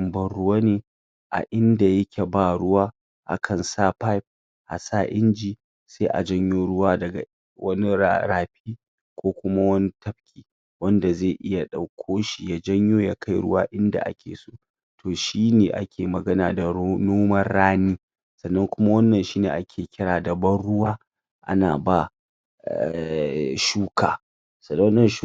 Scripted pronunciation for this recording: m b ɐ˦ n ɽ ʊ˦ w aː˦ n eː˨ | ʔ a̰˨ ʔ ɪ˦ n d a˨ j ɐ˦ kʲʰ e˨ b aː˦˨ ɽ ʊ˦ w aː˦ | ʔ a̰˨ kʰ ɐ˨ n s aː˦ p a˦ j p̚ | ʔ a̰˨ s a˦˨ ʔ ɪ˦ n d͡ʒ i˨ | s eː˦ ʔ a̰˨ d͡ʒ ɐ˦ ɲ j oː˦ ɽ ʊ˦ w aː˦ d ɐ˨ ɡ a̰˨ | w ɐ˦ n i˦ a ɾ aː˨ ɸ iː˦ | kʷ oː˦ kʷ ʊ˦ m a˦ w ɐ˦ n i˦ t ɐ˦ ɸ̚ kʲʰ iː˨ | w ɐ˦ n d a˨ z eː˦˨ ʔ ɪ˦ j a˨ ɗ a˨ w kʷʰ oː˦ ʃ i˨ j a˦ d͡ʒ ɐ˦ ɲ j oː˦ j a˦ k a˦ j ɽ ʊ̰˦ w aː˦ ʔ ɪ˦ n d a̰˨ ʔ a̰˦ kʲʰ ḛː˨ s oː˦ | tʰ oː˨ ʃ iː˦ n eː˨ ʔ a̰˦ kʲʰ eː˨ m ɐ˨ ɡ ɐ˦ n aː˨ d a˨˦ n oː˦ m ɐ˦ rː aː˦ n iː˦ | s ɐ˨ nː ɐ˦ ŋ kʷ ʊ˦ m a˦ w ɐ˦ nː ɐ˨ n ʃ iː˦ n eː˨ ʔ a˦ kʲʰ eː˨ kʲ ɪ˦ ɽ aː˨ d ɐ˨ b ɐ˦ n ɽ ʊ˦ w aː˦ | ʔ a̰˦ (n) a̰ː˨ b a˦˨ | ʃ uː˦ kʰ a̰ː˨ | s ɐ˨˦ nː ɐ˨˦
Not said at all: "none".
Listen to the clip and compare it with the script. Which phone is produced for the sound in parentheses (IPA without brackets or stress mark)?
n